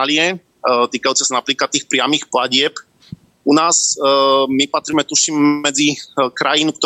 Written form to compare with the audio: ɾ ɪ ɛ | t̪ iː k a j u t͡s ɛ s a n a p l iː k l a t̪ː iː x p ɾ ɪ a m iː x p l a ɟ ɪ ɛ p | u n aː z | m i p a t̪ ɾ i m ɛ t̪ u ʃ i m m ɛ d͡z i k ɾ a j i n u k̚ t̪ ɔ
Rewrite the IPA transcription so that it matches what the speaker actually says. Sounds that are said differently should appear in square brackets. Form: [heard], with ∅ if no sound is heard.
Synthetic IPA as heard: [l] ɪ ɛ | t̪ iː k a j u t͡s ɛ s a n a p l iː k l a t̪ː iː x p ɾ ɪ a m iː x p l a ɟ ɪ ɛ p | u n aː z | m i p a t̪ ɾ i m ɛ t̪ u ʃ i m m ɛ d͡z i k ɾ a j i n u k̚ t̪ ɔ